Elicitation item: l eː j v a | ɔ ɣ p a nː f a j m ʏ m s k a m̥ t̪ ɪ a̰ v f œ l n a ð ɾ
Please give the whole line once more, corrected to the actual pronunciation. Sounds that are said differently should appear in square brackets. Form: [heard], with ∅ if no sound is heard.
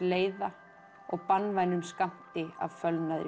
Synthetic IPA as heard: l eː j [ð] a | ɔ ɣ p a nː [v] a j [n] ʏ m s k a m̥ t̪ ɪ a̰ v f œ l n a ð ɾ